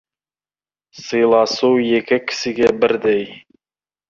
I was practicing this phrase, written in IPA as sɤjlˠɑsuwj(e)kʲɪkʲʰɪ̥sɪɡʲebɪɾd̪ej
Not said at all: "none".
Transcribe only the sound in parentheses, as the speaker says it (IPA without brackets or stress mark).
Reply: e